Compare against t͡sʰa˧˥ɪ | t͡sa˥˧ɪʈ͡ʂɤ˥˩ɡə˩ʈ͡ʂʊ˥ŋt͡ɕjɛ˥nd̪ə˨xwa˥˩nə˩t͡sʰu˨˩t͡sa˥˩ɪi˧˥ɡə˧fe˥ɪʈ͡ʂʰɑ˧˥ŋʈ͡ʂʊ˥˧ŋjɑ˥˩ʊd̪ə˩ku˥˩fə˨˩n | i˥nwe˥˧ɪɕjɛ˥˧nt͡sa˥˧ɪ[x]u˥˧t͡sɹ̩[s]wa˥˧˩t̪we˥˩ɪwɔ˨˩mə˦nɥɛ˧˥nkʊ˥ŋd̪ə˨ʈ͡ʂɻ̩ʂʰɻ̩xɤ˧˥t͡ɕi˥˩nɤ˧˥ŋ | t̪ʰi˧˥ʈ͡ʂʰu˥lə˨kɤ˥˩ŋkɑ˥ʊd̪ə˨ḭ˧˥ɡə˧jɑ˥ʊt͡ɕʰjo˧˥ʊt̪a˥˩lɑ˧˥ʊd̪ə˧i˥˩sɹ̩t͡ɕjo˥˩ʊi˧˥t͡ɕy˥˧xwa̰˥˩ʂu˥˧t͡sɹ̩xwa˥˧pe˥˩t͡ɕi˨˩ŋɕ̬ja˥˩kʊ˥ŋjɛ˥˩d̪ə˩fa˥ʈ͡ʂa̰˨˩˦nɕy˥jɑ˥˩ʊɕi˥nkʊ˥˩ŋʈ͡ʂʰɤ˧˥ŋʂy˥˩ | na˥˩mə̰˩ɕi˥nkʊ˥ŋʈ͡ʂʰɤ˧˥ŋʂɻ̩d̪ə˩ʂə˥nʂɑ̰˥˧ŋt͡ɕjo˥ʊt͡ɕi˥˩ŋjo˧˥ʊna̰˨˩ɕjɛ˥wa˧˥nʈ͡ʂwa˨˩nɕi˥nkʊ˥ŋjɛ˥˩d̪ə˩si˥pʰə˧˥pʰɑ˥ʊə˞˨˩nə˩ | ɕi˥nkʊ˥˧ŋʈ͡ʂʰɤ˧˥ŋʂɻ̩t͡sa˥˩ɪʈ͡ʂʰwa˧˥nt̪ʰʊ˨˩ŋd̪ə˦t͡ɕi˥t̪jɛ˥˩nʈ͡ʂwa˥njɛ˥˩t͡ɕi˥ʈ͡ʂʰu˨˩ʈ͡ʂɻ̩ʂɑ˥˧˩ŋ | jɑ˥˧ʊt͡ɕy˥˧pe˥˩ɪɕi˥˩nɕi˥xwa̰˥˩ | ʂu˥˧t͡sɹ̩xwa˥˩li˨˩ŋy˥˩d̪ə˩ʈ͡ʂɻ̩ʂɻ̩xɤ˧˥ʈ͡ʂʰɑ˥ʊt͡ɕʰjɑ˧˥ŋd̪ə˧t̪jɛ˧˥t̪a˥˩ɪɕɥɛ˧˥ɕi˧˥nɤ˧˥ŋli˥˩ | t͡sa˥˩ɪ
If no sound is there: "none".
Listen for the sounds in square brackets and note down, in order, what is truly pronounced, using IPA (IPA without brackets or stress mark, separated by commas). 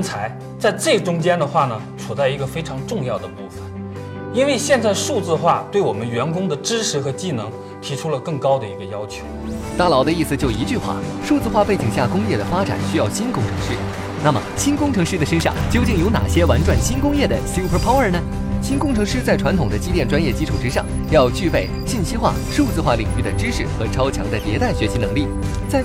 ʂ, x